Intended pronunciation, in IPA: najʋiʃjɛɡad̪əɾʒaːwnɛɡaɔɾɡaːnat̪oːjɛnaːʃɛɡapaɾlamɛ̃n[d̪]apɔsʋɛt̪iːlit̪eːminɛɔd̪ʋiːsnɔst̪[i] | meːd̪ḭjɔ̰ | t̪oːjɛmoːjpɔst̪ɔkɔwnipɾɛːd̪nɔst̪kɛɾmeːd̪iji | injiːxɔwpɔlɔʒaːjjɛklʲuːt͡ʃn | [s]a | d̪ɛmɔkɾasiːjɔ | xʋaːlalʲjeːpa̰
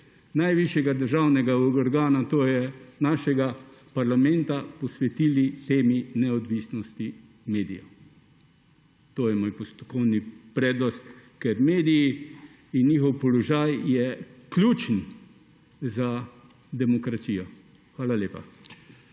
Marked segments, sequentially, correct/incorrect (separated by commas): incorrect, correct, incorrect